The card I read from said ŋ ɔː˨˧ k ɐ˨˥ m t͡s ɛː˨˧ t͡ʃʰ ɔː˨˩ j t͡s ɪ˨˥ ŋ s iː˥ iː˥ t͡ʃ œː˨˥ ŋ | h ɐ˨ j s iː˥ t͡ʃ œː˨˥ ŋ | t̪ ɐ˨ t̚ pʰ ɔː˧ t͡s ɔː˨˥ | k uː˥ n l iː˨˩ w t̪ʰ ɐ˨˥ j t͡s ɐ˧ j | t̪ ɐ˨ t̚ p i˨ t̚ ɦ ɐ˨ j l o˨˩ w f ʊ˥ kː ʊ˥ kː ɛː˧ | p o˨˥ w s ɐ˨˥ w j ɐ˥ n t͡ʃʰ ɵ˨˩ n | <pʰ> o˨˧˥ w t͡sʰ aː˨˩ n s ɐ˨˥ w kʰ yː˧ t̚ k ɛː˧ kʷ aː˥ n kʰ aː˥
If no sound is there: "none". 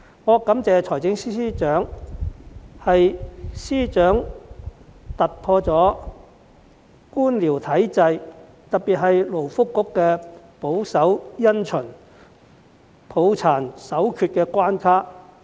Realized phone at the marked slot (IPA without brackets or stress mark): pʰ